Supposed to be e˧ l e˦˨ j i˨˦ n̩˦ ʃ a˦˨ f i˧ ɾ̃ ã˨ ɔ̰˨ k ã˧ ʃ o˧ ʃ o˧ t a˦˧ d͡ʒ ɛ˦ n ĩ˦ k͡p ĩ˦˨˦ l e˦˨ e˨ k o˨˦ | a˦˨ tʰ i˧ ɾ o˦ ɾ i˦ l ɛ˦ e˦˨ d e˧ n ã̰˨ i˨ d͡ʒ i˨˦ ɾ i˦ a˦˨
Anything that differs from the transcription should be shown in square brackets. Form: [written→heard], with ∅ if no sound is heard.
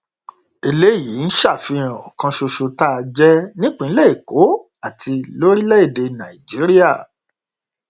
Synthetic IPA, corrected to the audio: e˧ l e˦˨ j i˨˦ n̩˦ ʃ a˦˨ f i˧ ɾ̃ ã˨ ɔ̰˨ k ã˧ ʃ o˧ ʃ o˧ t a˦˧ d͡ʒ ɛ˦ n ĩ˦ k͡p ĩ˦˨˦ l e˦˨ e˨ k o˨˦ | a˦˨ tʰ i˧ [ɾ→l] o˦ ɾ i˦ l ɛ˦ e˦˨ d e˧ n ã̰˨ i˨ d͡ʒ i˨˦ ɾ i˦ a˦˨